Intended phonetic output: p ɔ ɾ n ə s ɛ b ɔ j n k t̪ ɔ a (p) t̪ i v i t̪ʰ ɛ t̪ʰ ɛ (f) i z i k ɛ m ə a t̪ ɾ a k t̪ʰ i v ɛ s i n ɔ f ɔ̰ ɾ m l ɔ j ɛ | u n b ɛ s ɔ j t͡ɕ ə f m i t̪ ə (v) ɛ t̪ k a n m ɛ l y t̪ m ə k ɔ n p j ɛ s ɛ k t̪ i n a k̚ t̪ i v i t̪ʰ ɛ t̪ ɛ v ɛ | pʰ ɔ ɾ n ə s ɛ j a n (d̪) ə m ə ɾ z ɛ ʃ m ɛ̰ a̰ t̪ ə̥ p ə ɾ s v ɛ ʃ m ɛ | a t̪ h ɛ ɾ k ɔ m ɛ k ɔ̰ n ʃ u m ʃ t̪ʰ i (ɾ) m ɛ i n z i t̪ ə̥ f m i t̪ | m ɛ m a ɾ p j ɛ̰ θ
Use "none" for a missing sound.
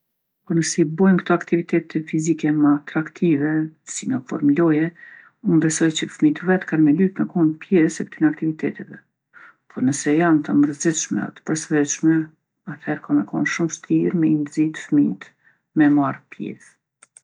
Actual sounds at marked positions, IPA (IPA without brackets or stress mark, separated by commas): k, f, v, t̪, ɾ